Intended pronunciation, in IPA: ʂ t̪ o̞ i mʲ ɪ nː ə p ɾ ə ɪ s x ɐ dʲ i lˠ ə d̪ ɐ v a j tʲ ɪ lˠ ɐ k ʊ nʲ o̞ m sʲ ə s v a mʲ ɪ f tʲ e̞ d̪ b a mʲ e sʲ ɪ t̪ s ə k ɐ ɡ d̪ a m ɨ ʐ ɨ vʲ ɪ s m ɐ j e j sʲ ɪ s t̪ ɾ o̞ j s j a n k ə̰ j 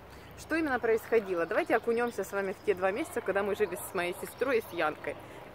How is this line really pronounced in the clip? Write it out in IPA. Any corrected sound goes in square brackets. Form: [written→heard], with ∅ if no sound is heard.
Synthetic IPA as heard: ʂ t̪ o̞ i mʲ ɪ nː ə p ɾ ə ɪ s x ɐ dʲ i lˠ ə d̪ ɐ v a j tʲ ɪ [lˠ→∅] ɐ k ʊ nʲ o̞ m sʲ ə s v a mʲ ɪ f tʲ e̞ d̪ [b→v] a mʲ e sʲ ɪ t̪ s ə k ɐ ɡ d̪ a m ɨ ʐ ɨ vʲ ɪ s m ɐ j e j sʲ ɪ s t̪ ɾ o̞ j s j a n k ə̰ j